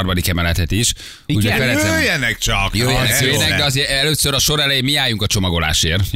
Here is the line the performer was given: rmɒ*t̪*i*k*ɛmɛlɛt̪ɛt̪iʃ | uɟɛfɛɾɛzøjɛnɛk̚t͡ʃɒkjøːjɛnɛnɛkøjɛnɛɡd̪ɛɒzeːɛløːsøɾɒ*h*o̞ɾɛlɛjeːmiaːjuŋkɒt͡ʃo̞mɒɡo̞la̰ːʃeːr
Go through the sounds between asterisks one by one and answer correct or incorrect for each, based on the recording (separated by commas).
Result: incorrect, correct, incorrect